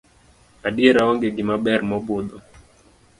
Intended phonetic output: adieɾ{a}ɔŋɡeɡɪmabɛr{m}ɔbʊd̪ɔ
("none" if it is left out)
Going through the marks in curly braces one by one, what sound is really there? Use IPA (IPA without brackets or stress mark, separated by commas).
a, m